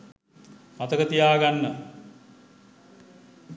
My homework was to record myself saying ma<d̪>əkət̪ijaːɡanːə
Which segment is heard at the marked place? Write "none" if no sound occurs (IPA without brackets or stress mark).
t̪